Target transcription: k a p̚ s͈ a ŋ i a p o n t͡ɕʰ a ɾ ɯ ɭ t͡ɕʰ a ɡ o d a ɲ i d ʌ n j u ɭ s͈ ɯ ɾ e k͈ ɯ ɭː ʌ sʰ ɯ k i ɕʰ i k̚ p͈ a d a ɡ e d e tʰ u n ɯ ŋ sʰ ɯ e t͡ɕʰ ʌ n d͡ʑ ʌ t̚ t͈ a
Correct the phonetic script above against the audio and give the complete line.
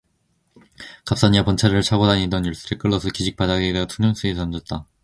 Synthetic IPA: k a p̚ s͈ a ɲ i a p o n t͡ɕʰ a ɾ ɯ ɭ t͡ɕʰ a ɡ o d a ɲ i d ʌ n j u ɭ s͈ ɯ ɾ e k͈ ɯ ɭː ʌ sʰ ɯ k i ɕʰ i k̚ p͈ a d a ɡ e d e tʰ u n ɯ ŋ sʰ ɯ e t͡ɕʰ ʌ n d͡ʑ ʌ t̚ t͈ a